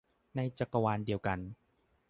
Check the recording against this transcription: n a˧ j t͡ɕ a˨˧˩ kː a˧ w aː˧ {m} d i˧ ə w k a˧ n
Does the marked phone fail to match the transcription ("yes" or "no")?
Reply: yes